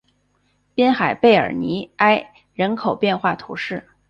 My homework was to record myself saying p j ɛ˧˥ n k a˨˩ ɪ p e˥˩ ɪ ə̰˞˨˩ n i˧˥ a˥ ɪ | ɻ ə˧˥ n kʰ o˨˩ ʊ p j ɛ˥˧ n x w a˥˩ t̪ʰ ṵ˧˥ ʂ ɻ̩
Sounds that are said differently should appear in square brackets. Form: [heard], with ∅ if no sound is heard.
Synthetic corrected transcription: p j [ɛ˥] n [x] a˨˩ ɪ p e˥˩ ɪ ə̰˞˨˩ n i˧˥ a˥ ɪ | ɻ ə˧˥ n kʰ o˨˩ ʊ p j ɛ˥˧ n x w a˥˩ t̪ʰ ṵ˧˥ ʂ ɻ̩